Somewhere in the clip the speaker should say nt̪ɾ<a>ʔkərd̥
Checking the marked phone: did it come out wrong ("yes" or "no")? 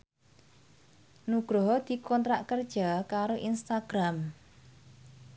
no